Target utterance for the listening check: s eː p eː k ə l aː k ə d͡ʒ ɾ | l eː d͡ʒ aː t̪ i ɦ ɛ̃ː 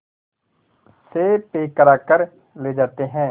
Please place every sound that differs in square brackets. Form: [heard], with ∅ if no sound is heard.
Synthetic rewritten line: s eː p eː k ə [ɾ] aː k ə [∅] ɾ | l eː d͡ʒ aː t̪ [e] ɦ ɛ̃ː